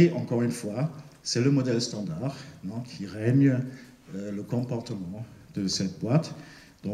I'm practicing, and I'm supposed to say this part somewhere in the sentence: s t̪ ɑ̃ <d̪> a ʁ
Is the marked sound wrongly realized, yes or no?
no